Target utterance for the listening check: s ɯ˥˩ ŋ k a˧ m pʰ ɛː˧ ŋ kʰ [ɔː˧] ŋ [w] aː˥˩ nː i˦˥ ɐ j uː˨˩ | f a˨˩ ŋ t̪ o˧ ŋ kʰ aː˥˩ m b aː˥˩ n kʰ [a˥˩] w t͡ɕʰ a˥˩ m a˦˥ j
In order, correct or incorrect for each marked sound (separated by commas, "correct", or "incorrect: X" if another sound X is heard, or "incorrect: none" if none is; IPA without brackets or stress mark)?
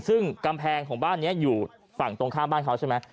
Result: incorrect: ɔː˩˦, incorrect: b, incorrect: a˦˥